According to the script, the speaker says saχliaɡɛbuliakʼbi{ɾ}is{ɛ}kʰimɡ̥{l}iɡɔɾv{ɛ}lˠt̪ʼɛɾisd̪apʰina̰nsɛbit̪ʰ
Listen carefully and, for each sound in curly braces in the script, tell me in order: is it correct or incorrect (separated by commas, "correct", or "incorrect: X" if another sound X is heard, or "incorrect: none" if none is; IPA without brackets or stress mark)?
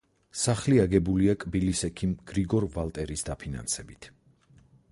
incorrect: l, correct, incorrect: ɾ, incorrect: a